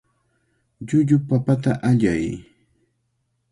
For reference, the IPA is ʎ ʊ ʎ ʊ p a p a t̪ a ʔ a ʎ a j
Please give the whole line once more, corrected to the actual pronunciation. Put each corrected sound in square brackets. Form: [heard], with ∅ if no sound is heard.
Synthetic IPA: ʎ ʊ ʎ ʊ p a p a t̪ a ʔ a ʎ a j